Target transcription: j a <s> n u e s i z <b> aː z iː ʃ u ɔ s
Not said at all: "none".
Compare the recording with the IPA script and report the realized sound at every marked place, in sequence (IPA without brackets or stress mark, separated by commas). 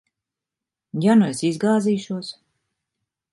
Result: none, ɡ